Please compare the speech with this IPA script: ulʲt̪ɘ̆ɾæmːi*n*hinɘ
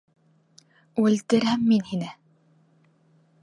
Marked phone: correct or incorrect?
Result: correct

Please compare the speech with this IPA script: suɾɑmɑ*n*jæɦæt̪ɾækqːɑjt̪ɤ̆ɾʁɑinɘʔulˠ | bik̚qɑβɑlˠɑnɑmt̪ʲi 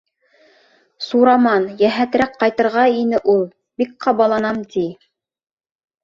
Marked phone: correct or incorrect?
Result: correct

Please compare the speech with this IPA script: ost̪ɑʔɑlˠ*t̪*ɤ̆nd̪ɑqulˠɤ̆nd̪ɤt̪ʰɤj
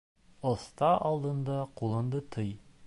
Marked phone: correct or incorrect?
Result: incorrect: d̪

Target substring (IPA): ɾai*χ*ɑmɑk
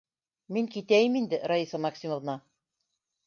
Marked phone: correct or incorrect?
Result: incorrect: s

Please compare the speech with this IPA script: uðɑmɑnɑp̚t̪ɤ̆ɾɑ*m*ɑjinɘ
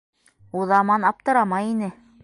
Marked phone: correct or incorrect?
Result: correct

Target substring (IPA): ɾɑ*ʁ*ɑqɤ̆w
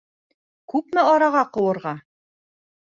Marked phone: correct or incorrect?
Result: correct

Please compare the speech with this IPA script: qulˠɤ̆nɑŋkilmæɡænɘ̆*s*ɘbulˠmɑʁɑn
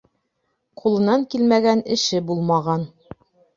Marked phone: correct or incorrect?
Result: incorrect: ʃ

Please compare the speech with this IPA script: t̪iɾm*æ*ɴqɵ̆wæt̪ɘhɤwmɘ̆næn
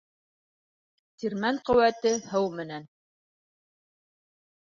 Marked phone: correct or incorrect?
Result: correct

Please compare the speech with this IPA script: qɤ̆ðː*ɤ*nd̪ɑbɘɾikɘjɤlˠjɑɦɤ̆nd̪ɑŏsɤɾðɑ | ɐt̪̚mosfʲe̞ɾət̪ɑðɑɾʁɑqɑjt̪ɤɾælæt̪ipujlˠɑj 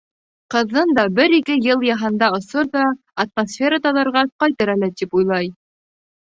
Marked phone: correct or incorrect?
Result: correct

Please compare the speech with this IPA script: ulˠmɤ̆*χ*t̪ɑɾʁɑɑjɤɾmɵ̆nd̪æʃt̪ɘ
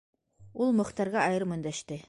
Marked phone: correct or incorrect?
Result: correct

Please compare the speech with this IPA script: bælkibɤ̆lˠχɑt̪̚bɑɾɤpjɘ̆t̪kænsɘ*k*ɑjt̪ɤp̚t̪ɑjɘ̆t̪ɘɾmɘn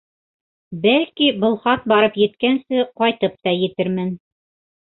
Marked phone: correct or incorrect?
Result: incorrect: q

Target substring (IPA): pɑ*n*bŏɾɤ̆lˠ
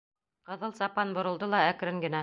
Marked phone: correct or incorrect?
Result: correct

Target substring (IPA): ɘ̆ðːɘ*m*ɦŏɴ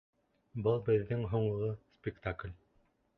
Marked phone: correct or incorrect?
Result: incorrect: ŋ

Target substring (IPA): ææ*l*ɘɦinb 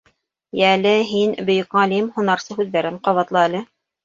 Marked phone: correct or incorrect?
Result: correct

